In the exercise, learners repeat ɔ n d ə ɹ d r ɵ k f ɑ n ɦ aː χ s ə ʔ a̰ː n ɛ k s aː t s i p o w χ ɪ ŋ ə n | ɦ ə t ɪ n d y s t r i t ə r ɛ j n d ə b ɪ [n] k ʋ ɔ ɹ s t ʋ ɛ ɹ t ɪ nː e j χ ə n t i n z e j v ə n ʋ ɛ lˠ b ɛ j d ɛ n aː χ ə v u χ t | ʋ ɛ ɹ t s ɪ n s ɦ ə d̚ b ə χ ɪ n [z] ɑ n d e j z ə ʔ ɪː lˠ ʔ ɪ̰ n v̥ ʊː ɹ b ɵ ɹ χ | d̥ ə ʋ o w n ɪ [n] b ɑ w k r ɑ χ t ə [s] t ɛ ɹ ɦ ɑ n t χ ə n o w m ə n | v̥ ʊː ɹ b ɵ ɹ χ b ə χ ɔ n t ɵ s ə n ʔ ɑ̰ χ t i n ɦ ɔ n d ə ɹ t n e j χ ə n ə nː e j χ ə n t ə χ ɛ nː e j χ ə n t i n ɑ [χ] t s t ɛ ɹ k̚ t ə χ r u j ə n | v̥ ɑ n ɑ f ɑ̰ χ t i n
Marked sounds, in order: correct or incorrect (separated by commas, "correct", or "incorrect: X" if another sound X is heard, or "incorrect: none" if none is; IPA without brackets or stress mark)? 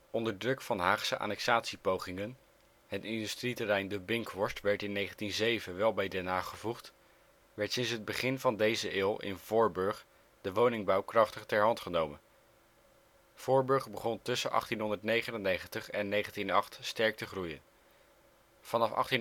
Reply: incorrect: ŋ, incorrect: v, incorrect: ŋ, incorrect: χ, correct